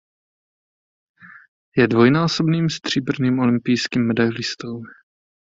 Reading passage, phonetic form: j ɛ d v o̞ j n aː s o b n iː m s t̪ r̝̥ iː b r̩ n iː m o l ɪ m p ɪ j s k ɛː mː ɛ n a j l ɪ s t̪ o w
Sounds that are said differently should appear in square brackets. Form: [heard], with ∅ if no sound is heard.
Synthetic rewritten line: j ɛ d v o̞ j n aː s o b n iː m s t̪ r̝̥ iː b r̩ n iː m o l ɪ m p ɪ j s k [iː] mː ɛ [d] a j l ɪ s t̪ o w